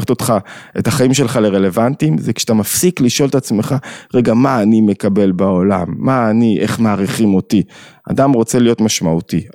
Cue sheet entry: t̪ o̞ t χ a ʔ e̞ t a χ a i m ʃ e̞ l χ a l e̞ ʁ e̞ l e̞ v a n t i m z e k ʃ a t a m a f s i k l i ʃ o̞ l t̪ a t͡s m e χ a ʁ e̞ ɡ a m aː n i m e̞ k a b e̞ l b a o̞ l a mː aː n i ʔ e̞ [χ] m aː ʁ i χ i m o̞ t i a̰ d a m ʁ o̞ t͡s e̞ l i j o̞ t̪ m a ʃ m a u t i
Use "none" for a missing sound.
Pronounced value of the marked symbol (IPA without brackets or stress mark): χ